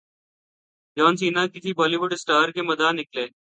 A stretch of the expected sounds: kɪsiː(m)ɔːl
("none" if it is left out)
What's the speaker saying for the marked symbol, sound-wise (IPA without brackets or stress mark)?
b